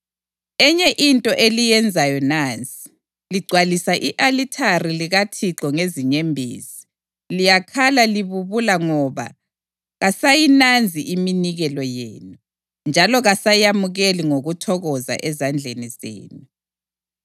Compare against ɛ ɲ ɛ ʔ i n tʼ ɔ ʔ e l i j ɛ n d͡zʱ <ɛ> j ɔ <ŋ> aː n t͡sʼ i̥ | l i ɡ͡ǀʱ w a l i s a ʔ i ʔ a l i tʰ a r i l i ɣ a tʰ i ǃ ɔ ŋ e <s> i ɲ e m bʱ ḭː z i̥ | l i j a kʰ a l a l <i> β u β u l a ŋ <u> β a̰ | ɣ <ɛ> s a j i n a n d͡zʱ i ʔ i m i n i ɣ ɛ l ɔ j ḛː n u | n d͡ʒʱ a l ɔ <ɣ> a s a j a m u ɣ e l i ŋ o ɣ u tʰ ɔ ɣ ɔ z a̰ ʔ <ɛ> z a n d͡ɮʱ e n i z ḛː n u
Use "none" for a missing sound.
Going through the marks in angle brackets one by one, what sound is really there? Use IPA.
a, n, z, i, ɔ, a, ɣ, ɛ

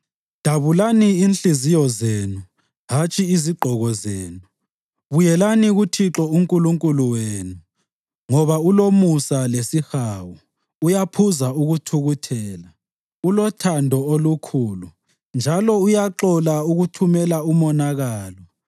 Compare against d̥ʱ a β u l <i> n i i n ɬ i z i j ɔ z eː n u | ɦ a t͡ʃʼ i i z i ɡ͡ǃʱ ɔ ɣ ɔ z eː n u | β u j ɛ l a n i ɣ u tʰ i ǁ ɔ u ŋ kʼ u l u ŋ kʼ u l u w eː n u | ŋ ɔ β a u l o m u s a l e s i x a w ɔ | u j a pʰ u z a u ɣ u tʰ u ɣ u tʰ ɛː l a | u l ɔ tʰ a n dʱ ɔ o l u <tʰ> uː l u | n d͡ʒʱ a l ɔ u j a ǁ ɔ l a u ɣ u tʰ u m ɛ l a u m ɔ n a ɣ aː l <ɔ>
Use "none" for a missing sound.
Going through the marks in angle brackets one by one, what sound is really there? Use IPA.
a, kʰ, ɔ

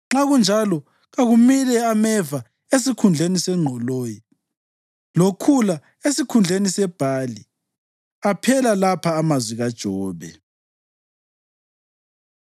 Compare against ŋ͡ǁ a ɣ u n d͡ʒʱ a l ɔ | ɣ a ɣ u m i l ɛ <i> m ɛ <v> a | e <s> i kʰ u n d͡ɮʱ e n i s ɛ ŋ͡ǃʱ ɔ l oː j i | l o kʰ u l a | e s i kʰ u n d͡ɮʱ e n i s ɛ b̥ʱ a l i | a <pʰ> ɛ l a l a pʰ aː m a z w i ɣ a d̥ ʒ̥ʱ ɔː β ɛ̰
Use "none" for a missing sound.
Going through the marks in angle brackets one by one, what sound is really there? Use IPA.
a, v, s, pʰ

